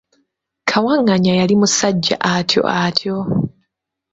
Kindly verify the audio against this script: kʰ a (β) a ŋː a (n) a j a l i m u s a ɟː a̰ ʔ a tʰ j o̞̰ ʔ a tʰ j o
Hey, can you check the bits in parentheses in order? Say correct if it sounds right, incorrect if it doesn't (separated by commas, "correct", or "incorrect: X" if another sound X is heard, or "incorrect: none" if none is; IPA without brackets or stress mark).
incorrect: w, incorrect: ɲ